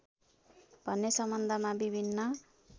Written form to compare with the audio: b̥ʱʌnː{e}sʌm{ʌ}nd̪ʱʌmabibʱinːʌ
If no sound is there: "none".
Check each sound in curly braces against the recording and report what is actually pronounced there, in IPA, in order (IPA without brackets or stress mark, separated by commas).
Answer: e, ʌ